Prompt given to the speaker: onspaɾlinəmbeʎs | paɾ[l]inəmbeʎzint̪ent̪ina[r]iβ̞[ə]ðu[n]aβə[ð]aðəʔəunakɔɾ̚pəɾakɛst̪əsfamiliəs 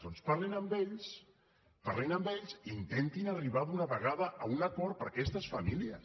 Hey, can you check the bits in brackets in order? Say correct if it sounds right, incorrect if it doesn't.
correct, correct, incorrect, correct, incorrect

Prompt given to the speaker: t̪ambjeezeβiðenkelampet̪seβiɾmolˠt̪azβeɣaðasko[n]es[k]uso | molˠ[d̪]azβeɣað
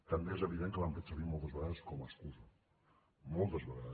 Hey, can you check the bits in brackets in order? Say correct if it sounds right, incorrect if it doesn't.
incorrect, correct, incorrect

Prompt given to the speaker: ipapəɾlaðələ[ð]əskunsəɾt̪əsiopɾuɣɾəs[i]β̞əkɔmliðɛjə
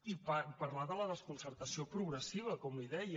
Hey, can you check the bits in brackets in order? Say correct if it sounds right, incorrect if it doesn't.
correct, correct

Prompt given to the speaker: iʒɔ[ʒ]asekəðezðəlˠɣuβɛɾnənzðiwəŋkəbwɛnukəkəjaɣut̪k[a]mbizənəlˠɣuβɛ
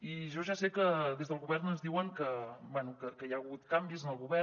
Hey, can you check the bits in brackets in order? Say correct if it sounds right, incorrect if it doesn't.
correct, correct

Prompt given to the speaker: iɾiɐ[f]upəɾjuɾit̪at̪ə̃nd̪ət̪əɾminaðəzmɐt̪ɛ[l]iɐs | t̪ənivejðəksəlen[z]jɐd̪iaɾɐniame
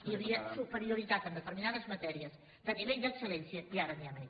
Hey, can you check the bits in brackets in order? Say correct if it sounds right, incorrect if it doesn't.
incorrect, incorrect, incorrect

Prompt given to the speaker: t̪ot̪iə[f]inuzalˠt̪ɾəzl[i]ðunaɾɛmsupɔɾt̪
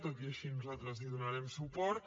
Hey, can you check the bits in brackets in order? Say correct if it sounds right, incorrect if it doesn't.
incorrect, correct

